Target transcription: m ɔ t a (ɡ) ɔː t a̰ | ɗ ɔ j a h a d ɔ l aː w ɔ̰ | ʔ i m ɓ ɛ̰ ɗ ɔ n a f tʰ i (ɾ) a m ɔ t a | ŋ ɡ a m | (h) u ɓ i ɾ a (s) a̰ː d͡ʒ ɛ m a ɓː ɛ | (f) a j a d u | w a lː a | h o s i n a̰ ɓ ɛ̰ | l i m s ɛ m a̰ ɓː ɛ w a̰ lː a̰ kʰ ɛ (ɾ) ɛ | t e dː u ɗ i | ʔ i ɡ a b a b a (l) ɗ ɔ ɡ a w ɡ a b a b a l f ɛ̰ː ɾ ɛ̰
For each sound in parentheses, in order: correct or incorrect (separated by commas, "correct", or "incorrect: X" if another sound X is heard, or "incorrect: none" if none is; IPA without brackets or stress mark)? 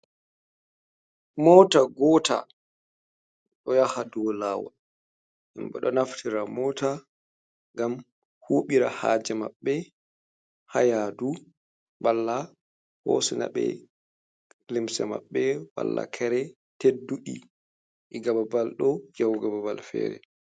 correct, correct, correct, incorrect: h, incorrect: h, correct, correct